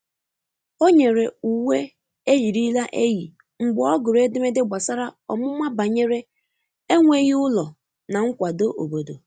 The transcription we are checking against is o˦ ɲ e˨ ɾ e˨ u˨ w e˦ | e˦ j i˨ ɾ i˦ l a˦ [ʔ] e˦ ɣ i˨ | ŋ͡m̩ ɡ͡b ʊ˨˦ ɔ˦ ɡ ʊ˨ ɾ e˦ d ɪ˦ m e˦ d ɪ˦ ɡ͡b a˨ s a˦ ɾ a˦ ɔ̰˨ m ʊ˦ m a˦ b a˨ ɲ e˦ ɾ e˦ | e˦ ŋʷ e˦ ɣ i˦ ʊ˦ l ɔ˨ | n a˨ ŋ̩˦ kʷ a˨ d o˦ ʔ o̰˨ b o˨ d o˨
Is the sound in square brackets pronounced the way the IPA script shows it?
yes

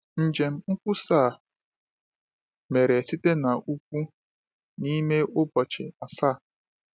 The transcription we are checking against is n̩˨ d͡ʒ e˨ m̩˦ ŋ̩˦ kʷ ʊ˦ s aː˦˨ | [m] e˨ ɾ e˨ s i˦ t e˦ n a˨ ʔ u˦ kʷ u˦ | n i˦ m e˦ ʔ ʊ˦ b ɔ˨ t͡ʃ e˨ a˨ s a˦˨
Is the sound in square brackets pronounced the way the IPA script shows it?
yes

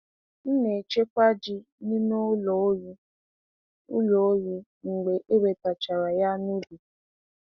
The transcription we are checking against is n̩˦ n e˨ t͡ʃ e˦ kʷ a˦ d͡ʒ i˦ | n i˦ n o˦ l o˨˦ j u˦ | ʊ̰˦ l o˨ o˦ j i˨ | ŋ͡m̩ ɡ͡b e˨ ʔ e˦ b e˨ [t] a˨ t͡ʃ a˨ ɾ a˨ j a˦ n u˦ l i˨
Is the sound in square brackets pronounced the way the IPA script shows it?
yes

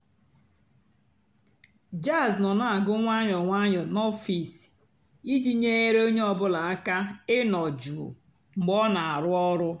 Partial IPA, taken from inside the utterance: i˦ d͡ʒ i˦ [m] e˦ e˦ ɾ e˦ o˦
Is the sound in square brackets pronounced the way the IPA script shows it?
no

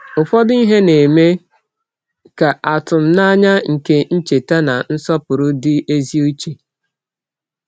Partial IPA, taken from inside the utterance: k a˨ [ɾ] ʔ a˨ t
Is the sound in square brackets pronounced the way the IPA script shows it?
no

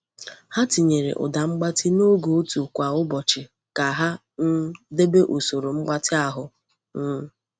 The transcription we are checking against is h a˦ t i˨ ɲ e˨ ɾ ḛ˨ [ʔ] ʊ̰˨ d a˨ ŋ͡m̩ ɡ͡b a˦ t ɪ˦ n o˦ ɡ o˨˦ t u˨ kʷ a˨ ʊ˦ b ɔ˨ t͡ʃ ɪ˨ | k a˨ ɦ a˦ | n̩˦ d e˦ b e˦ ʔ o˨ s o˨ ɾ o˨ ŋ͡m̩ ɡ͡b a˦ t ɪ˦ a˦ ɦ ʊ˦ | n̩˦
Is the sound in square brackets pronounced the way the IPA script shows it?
yes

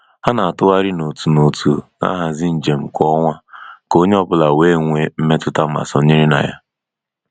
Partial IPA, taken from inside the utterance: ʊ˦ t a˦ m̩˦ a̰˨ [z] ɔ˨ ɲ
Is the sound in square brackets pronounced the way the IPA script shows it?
no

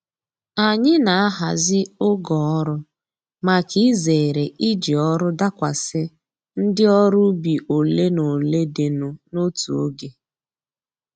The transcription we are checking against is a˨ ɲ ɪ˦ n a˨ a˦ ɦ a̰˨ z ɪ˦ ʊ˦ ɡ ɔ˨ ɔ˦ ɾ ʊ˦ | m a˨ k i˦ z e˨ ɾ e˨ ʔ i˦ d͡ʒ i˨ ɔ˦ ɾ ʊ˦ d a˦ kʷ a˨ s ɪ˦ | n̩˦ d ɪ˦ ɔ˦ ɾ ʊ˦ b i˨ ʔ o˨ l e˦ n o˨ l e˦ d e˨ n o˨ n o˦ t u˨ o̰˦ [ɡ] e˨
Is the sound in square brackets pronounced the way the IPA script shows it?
yes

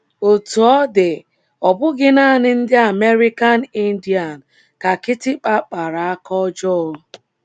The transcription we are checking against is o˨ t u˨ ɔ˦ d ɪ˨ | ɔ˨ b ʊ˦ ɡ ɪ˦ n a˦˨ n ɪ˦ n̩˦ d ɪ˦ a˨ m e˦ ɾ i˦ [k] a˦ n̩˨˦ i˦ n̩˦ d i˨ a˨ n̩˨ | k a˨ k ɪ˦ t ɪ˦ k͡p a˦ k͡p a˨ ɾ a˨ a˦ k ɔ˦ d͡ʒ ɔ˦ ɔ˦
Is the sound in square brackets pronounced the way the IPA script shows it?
yes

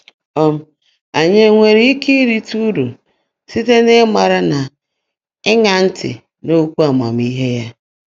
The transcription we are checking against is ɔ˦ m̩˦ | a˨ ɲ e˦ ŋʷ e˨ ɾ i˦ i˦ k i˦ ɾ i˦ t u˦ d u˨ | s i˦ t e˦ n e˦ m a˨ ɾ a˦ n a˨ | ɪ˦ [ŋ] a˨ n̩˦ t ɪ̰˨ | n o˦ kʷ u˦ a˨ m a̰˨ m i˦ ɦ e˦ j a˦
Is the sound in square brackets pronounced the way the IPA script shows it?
yes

